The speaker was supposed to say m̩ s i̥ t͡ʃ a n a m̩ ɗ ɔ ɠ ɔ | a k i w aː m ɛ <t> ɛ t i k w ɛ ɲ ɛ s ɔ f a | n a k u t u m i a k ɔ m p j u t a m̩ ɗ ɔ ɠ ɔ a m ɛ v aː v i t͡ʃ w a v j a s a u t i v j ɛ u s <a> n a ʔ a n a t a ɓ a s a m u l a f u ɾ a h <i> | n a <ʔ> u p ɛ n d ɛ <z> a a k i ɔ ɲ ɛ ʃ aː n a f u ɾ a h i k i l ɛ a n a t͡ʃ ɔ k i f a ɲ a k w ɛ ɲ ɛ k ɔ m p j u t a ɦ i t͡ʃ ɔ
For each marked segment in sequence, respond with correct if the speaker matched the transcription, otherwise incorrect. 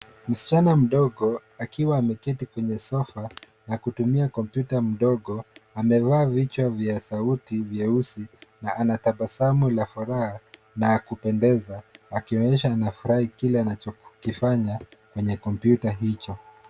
incorrect: k, incorrect: i, incorrect: a, incorrect: k, correct

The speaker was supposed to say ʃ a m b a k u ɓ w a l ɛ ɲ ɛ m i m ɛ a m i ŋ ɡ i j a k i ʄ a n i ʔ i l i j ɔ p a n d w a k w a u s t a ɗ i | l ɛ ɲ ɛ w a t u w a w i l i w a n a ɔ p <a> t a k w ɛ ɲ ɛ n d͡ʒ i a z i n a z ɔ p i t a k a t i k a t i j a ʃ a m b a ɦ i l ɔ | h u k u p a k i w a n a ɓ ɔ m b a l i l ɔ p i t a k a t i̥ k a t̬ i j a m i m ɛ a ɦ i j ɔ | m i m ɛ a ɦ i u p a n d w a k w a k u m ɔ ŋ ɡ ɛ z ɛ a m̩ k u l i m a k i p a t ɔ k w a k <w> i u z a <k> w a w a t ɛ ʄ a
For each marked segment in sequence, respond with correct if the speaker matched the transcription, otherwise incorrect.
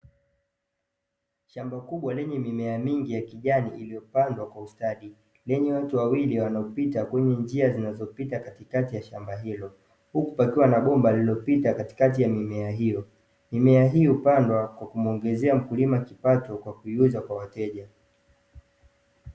incorrect: i, incorrect: u, correct

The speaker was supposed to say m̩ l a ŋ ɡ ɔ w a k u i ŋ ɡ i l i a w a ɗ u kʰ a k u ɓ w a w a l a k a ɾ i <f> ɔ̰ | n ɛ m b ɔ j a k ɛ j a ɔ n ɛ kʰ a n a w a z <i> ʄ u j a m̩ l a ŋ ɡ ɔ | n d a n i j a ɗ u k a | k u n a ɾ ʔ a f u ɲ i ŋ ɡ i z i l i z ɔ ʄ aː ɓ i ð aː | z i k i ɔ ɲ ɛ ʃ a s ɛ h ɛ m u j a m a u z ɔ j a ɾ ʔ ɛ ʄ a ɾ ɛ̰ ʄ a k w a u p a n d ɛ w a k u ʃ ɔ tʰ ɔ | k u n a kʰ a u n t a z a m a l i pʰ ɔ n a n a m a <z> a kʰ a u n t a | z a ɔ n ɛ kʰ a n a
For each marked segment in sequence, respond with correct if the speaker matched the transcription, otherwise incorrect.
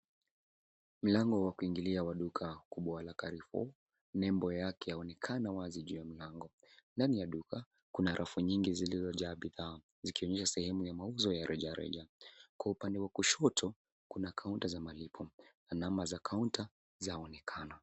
correct, correct, correct

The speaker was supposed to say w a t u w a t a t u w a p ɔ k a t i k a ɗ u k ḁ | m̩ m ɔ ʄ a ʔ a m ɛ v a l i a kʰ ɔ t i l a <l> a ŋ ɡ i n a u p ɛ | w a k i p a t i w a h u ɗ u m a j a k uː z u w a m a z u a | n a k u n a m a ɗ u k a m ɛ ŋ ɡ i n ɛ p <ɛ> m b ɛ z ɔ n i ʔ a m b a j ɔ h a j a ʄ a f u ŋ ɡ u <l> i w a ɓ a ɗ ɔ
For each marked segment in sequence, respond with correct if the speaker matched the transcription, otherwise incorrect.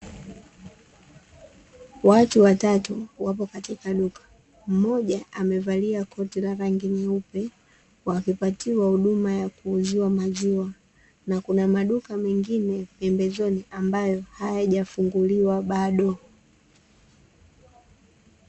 incorrect: ɾ, correct, correct

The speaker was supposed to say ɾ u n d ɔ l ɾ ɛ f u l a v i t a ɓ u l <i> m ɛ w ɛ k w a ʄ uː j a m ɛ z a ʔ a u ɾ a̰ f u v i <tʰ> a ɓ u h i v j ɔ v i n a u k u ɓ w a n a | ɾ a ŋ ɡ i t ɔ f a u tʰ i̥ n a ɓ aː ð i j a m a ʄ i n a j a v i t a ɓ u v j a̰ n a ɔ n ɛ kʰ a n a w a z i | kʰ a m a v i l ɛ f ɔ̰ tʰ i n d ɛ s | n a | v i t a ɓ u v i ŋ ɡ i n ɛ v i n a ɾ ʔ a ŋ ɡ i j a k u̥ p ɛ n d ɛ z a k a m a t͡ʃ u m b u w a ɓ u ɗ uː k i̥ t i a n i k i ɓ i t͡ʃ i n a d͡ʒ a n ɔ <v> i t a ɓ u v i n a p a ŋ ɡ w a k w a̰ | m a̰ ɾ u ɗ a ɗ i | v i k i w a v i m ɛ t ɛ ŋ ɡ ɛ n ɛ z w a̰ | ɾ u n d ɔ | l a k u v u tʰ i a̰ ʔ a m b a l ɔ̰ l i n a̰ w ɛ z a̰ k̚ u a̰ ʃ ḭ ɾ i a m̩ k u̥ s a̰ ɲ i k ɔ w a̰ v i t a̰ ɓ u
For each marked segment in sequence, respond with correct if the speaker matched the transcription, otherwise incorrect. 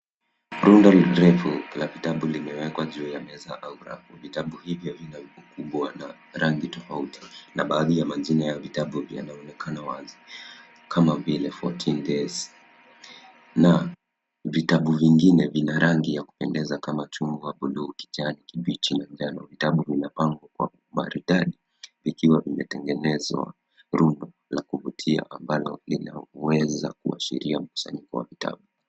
correct, incorrect: t, correct

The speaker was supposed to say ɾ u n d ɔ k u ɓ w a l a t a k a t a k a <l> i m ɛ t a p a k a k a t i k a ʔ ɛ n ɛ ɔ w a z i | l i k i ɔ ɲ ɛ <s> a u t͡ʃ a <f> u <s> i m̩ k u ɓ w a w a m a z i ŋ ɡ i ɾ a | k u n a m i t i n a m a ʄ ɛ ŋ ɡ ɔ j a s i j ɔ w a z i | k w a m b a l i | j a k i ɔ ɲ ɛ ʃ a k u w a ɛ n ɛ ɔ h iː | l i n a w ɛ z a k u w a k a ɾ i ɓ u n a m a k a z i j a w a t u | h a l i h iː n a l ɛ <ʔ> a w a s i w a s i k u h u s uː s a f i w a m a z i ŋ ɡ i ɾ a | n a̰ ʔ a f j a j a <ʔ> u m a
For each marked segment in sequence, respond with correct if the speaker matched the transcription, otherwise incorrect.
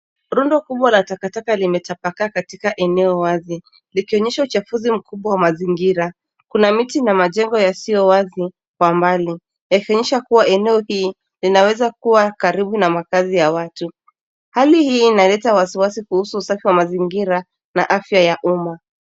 correct, incorrect: ʃ, correct, incorrect: z, incorrect: t, correct

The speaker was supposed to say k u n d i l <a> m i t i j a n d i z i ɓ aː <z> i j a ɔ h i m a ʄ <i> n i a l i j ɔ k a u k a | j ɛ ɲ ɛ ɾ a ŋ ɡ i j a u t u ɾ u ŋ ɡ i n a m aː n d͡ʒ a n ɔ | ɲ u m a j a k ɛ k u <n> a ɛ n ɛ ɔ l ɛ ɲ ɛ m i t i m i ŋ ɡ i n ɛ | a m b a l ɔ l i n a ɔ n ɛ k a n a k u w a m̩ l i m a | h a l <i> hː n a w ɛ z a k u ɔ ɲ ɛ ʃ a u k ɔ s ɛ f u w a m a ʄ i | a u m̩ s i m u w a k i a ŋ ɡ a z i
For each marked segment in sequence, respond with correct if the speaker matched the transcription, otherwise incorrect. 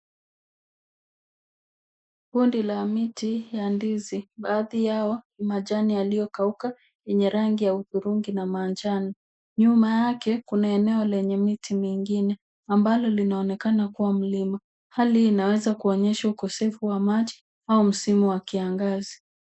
correct, incorrect: ð, incorrect: a, correct, correct

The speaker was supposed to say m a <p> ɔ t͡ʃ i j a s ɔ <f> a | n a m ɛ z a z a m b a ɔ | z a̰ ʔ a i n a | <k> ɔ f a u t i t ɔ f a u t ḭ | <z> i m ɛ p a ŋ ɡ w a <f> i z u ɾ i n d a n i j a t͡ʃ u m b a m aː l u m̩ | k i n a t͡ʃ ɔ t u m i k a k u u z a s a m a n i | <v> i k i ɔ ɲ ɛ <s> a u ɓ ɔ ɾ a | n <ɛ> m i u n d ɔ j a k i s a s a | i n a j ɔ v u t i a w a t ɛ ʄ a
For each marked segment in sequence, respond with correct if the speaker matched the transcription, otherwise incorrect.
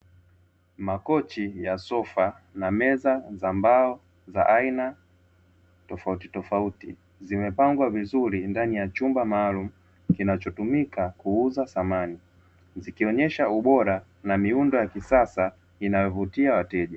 incorrect: k, correct, incorrect: t, correct, incorrect: v, incorrect: z, incorrect: ʃ, incorrect: a

